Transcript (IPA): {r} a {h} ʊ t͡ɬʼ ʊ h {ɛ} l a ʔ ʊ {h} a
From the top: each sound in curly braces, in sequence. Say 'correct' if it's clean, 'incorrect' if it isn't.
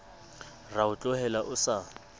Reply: correct, incorrect: none, correct, incorrect: s

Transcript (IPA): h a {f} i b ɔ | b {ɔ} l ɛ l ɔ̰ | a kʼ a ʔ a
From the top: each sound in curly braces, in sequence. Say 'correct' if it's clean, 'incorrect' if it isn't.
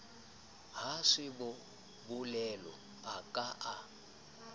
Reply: incorrect: ʂ, incorrect: u

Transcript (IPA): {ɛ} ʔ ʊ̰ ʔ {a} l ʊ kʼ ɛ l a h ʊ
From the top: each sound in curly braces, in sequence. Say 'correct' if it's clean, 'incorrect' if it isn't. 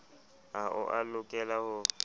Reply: incorrect: a, correct

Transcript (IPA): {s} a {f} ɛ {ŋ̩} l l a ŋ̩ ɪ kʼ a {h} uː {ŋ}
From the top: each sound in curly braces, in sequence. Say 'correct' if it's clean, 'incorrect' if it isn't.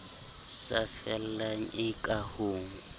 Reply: correct, correct, incorrect: none, correct, correct

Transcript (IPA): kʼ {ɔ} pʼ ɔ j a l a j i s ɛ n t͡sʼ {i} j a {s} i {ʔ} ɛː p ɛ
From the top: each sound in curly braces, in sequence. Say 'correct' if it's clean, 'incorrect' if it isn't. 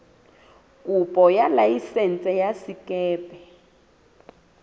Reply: incorrect: u, incorrect: ɛ, correct, incorrect: k

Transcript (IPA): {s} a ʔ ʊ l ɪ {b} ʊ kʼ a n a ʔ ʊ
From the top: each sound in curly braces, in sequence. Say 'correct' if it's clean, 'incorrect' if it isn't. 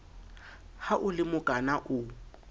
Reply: incorrect: h, incorrect: m

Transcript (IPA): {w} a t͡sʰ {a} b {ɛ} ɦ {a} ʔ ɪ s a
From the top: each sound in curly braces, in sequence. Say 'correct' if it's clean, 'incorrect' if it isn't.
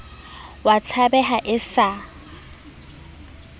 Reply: correct, correct, correct, correct

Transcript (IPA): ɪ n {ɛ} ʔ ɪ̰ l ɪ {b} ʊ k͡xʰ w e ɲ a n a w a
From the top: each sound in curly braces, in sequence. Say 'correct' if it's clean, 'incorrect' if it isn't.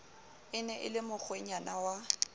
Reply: correct, incorrect: m

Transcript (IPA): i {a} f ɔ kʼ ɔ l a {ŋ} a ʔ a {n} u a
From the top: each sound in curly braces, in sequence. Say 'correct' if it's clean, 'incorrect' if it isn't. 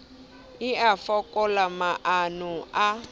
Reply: correct, incorrect: m, correct

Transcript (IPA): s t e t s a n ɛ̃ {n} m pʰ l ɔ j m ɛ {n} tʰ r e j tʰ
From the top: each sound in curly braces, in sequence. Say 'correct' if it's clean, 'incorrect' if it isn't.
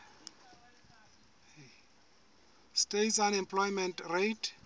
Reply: incorrect: none, correct

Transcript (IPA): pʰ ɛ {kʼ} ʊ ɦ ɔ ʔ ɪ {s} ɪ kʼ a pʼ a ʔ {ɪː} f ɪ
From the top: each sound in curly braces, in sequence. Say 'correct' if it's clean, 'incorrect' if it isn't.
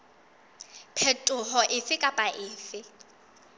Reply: incorrect: tʼ, incorrect: f, correct

